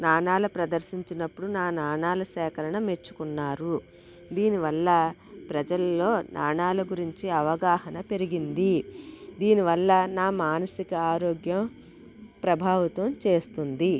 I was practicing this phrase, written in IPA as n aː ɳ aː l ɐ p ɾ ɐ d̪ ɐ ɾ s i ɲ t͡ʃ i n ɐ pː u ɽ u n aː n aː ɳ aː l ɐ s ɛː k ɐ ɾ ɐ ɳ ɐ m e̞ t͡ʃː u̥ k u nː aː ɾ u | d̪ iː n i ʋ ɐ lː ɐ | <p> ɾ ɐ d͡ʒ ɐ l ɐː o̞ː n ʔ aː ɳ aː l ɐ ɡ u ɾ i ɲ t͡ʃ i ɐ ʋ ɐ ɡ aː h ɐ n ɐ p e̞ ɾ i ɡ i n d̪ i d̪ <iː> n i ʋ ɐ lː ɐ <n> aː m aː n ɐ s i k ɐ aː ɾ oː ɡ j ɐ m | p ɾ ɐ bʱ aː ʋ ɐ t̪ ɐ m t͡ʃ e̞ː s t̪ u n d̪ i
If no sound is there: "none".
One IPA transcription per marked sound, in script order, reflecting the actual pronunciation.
p, iː, n

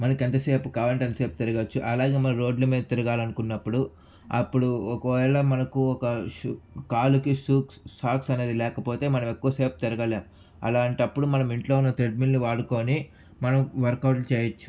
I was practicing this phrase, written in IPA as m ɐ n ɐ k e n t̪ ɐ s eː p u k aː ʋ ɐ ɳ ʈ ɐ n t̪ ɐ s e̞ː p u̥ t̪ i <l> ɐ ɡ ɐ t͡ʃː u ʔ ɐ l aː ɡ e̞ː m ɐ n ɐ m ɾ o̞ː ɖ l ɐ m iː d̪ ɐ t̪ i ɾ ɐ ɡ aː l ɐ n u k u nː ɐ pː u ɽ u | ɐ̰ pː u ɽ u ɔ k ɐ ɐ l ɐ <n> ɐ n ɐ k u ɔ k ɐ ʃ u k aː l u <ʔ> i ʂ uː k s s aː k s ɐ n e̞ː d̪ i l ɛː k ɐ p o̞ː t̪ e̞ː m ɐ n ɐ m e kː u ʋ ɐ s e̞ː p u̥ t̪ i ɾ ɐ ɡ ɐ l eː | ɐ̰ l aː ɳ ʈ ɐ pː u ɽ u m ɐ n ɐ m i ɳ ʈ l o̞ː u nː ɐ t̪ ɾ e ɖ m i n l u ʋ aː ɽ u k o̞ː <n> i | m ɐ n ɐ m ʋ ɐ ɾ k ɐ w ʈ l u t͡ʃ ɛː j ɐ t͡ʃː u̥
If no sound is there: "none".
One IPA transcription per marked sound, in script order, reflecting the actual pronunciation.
ɾ, m, k, n

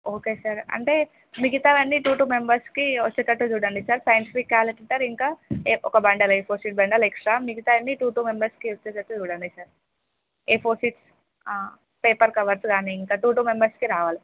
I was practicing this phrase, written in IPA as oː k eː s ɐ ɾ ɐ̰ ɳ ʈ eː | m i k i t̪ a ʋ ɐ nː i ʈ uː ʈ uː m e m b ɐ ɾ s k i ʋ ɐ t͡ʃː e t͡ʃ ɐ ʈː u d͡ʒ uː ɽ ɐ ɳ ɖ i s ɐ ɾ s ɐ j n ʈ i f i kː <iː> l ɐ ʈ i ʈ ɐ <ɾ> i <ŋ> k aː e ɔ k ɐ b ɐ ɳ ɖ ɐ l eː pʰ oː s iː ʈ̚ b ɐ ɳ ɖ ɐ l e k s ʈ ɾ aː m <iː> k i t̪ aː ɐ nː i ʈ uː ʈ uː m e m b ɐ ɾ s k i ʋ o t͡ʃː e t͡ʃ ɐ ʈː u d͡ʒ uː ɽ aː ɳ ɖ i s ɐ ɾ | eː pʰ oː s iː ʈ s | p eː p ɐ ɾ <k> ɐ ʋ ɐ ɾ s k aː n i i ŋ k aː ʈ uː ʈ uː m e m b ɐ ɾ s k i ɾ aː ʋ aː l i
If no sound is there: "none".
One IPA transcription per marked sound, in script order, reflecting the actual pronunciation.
aː, ɾ, ŋ, i, k

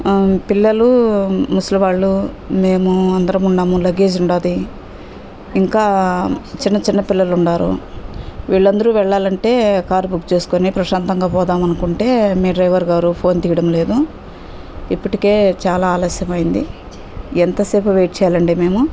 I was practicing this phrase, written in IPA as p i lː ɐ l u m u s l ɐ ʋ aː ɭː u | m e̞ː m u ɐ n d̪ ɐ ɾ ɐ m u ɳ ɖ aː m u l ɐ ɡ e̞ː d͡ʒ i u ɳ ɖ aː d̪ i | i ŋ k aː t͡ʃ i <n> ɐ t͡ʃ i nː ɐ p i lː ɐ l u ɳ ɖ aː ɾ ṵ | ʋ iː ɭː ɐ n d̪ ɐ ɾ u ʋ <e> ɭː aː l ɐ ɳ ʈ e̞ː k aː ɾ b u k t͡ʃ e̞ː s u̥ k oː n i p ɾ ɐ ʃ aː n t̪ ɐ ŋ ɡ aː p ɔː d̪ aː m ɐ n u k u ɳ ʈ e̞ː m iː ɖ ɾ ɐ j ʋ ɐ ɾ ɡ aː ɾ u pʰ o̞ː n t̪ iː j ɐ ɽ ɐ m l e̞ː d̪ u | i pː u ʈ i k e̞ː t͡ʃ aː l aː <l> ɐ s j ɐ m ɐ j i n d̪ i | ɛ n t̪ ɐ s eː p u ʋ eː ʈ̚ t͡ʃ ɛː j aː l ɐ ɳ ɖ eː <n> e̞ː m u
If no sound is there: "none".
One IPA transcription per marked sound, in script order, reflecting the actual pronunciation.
nː, ɛ, l, m

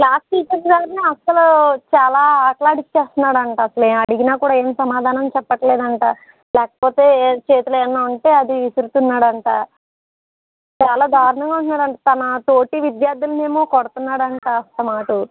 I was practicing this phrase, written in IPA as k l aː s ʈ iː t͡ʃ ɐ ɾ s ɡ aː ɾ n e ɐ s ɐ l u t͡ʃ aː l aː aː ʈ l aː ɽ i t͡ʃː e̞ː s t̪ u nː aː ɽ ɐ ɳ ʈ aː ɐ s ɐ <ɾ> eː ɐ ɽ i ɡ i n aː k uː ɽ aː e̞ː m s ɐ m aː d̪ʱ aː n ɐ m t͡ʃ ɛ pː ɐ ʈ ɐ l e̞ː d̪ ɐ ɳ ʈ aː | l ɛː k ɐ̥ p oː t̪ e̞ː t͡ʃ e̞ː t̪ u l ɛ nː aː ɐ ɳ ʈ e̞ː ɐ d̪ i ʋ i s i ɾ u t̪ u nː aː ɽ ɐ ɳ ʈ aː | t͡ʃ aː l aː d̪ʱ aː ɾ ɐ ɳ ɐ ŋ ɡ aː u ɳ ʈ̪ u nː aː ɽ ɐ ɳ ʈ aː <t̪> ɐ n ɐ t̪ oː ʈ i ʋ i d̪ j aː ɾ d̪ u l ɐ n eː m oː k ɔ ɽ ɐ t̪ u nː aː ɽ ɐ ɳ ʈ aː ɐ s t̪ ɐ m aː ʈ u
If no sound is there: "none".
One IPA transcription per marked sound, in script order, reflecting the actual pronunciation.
l, t̪

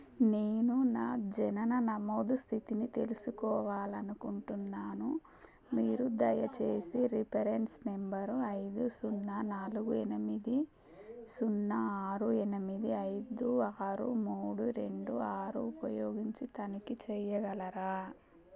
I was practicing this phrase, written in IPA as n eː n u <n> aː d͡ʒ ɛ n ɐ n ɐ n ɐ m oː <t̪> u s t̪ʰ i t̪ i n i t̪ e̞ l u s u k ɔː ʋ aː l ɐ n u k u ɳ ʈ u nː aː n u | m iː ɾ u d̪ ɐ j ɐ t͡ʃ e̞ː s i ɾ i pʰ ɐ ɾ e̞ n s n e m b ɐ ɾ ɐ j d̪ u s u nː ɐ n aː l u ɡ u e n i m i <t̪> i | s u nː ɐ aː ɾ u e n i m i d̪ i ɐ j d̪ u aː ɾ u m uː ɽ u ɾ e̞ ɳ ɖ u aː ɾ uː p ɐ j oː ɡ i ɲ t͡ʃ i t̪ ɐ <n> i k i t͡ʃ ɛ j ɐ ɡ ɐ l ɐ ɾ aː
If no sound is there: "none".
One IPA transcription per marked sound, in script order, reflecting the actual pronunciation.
n, d̪, d̪, n

